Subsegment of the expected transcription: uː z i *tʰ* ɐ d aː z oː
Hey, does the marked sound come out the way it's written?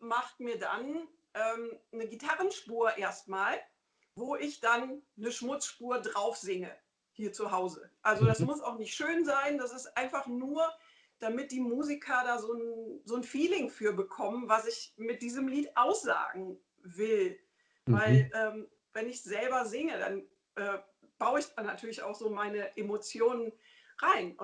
no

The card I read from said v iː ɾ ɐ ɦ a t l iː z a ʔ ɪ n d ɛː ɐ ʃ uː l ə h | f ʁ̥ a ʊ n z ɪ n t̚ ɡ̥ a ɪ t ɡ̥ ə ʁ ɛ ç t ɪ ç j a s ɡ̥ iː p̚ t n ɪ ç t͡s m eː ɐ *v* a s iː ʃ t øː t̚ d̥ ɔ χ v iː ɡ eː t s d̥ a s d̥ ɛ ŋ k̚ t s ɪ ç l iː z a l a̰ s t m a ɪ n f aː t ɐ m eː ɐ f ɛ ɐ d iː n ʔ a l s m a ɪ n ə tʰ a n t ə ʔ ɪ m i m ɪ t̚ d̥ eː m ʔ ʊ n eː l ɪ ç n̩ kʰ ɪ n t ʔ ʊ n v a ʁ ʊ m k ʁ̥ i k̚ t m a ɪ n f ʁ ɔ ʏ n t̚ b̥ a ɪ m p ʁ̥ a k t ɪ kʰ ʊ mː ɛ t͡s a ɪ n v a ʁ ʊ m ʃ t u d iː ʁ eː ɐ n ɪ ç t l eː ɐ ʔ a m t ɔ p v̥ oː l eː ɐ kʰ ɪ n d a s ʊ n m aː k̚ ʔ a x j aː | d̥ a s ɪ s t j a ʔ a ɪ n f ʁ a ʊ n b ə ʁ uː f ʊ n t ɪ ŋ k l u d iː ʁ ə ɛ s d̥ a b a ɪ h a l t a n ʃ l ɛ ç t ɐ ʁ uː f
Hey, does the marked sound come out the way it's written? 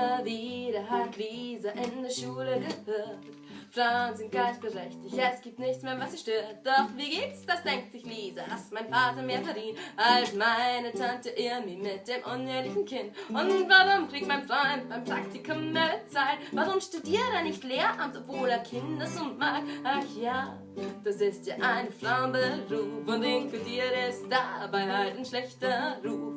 yes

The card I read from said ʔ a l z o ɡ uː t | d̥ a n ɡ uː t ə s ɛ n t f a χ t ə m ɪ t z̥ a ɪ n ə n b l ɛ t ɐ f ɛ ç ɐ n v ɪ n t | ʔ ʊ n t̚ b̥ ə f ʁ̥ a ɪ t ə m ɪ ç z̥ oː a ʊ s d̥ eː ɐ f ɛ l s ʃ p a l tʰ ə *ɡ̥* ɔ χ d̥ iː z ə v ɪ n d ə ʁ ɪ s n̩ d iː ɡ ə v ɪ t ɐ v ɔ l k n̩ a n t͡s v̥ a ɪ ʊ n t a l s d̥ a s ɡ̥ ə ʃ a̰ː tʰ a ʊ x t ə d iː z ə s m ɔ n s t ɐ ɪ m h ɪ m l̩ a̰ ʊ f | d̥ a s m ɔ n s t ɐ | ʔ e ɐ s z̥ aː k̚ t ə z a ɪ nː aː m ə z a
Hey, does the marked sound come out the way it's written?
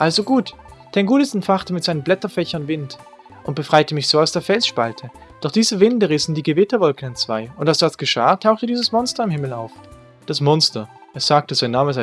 no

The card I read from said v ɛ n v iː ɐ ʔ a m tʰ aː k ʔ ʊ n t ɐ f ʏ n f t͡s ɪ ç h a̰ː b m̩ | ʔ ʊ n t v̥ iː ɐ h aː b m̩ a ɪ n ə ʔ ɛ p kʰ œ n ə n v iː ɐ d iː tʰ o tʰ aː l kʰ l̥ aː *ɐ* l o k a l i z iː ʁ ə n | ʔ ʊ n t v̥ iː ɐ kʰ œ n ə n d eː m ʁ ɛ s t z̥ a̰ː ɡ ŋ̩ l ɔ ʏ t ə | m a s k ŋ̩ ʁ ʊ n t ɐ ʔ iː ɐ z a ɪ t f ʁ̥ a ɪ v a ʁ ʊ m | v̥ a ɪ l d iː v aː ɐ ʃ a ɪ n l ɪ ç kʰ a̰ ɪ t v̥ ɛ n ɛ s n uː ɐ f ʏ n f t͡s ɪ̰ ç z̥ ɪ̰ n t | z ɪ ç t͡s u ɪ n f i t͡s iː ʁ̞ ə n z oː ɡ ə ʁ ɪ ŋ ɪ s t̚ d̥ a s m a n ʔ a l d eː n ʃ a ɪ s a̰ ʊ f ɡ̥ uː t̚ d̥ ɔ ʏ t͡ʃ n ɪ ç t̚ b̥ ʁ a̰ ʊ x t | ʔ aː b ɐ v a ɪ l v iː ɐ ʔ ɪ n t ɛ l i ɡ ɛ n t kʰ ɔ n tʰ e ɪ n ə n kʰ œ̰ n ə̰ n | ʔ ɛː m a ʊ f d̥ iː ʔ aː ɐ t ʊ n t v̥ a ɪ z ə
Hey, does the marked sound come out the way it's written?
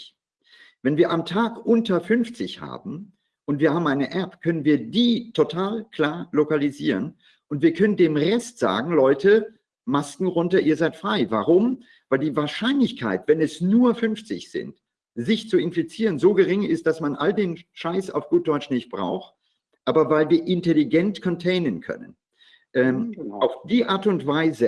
yes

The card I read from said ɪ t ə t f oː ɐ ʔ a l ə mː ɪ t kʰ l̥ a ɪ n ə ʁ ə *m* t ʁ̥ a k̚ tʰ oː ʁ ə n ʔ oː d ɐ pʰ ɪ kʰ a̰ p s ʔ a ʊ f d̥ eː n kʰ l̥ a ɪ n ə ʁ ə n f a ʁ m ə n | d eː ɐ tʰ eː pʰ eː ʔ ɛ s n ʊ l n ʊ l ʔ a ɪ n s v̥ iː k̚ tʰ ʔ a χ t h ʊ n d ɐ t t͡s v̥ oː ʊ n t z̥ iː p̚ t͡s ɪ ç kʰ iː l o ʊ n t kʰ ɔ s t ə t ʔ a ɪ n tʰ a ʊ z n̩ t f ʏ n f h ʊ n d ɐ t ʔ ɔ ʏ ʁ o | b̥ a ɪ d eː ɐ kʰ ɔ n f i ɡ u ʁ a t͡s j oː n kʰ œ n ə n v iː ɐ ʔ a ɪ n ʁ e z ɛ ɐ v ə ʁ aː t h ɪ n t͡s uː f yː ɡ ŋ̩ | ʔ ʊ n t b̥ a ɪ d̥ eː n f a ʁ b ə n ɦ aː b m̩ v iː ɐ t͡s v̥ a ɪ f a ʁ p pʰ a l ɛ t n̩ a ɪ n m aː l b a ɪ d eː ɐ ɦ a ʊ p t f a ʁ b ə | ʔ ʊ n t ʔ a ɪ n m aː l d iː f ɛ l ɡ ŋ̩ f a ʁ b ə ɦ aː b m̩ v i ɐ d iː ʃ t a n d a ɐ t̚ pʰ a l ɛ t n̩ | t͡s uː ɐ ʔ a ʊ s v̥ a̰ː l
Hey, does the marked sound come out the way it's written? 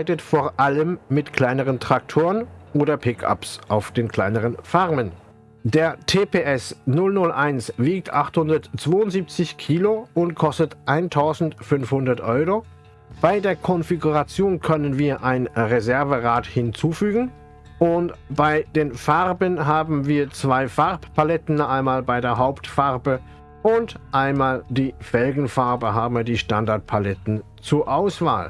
no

